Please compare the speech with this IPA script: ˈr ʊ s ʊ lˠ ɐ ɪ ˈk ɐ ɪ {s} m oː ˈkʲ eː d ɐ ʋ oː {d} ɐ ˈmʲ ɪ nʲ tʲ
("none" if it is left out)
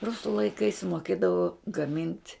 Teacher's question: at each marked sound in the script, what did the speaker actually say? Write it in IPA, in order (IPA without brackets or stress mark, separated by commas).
s, ɡ